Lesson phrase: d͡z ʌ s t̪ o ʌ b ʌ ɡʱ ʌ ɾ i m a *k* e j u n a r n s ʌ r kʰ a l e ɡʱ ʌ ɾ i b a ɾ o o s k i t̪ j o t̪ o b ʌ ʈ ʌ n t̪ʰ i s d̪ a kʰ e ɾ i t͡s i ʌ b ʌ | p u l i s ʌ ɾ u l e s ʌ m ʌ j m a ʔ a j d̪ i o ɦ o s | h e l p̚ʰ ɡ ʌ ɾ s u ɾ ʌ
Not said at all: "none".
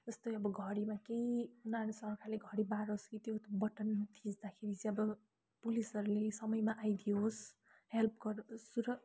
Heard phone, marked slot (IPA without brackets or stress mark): k